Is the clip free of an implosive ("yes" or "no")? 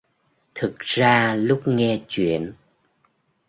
yes